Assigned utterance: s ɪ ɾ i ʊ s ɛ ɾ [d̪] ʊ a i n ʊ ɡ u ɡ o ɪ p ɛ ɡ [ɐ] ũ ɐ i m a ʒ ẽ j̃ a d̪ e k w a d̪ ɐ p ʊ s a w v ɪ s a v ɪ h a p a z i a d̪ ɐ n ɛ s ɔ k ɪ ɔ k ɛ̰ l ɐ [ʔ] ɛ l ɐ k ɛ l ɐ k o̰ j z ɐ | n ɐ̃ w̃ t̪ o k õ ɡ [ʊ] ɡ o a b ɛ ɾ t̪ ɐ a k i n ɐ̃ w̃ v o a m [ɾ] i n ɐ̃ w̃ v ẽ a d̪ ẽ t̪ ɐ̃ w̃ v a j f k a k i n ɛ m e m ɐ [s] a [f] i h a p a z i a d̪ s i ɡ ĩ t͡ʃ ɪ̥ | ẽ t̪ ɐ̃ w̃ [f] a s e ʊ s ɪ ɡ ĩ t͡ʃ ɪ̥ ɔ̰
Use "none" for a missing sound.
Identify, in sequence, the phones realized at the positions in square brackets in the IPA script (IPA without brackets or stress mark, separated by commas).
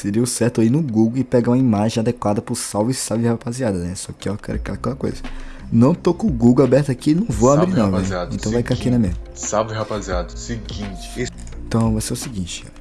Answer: t̪, a, k, u, ɾ, s, v, v